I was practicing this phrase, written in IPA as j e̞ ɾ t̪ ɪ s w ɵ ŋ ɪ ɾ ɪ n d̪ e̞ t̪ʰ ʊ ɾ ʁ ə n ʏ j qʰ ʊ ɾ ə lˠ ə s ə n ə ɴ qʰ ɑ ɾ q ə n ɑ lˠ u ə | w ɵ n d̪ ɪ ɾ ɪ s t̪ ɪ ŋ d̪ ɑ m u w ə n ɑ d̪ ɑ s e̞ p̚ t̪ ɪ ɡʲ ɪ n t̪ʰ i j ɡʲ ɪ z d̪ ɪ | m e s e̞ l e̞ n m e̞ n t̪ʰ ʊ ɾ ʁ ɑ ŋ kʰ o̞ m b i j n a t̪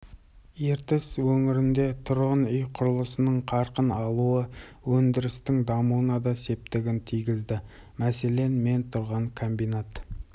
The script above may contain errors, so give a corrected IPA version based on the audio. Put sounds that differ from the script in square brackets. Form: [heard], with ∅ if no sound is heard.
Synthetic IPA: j e̞ ɾ t̪ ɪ s w ɵ ŋ ɪ ɾ ɪ n d̪ e̞ t̪ʰ ʊ ɾ ʁ ə n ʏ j qʰ ʊ ɾ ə lˠ ə s ə n ə ɴ qʰ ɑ ɾ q ə n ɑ lˠ u ə | w ɵ n d̪ ɪ ɾ ɪ s t̪ ɪ ŋ d̪ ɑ m u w ə n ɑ d̪ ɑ s e̞ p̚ t̪ ɪ ɡʲ ɪ n t̪ʰ i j ɡʲ ɪ z d̪ ɪ | m [æ] s e̞ l e̞ n m e̞ n t̪ʰ ʊ ɾ ʁ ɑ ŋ kʰ o̞ m b i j n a t̪